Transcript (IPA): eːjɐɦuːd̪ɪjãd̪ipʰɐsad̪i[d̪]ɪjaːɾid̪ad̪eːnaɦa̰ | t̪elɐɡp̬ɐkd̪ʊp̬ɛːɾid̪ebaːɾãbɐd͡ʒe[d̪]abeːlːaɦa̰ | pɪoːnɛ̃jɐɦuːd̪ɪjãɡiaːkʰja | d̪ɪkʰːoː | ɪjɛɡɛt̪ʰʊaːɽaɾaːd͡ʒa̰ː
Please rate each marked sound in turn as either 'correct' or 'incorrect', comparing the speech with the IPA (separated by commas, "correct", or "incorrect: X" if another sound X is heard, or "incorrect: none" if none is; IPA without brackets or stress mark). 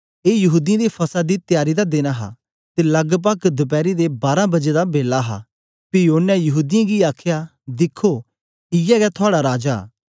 incorrect: t̪, correct